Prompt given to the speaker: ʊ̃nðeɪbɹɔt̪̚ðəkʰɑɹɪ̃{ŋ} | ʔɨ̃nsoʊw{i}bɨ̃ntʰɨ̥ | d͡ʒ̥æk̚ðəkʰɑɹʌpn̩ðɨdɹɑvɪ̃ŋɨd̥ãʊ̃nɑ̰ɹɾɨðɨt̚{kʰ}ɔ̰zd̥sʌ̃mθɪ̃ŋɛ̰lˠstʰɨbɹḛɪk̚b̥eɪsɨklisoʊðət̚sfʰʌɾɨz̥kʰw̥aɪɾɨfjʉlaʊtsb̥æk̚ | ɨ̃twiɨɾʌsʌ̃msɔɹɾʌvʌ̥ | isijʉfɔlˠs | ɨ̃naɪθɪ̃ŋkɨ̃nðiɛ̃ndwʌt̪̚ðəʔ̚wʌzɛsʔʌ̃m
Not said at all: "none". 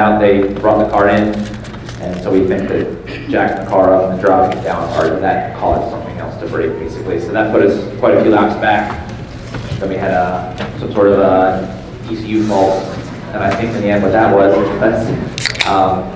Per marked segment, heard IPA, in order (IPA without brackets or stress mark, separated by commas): n, i, kʰ